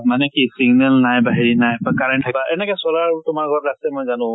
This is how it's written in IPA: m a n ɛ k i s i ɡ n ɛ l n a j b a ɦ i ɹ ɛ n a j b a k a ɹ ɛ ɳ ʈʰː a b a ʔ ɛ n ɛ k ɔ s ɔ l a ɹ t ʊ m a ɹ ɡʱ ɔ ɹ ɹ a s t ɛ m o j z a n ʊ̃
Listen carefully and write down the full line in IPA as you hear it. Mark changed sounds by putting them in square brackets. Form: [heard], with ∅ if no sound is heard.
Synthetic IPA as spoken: m a n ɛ k i s i ɡ n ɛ l n a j b a ɦ i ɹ [i] n a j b a k a ɹ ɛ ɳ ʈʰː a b a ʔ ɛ n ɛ k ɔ s ɔ l a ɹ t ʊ m a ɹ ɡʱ ɔ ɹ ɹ a s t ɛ m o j z a n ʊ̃

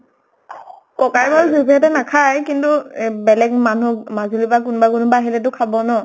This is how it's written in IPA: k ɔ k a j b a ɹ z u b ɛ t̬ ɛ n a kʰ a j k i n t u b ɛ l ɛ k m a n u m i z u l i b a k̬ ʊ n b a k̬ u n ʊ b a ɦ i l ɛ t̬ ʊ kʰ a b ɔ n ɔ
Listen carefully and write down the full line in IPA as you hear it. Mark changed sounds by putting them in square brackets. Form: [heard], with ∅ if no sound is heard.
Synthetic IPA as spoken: k ɔ k a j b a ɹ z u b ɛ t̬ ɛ n a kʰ a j k i n t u b ɛ l ɛ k m a n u m [a] z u l i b a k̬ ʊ n b a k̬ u n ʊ b a ɦ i l ɛ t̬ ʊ kʰ a b ɔ n ɔ

